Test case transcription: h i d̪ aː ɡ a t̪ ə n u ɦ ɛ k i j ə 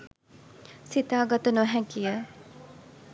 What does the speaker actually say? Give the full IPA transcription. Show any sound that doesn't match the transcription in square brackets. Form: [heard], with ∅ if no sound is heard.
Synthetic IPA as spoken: [s] i [t̪] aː ɡ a t̪ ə n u ɦ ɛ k i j ə